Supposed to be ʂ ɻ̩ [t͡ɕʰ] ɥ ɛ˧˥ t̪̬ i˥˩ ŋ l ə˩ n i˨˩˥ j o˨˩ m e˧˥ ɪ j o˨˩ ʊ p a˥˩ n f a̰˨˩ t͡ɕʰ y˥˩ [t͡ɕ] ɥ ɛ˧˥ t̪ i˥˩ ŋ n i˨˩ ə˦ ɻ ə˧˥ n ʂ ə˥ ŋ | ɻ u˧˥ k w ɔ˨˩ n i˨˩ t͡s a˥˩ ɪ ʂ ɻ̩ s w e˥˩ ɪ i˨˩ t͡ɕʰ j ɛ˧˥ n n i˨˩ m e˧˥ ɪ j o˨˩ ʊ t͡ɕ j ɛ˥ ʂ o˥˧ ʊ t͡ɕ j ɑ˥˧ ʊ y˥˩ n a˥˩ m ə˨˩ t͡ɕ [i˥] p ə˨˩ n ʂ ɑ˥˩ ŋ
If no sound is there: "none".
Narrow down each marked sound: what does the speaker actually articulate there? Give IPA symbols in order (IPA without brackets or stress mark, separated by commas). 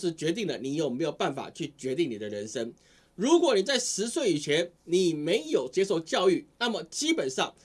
t͡ɕ, t͡ɕ, i˥